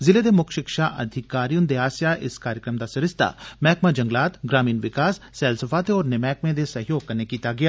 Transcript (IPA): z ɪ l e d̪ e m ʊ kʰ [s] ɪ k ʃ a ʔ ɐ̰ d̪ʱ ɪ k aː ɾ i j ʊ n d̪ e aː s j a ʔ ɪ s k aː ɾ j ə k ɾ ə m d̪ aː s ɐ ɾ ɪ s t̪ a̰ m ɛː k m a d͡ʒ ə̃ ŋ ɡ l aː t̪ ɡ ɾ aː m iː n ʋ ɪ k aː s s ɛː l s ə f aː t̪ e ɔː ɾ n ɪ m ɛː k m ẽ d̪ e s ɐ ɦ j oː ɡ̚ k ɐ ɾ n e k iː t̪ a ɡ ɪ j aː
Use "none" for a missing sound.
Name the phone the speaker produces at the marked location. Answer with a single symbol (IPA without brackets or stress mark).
ʃ